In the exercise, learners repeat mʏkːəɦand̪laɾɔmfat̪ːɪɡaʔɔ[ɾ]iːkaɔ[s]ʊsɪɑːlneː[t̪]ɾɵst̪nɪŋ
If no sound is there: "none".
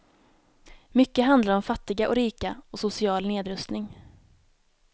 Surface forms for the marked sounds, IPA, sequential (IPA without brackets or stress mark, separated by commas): ɾ, s, d̪